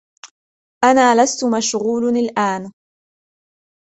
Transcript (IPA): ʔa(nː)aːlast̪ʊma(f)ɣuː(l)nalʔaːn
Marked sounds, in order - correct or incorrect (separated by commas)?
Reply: incorrect, incorrect, correct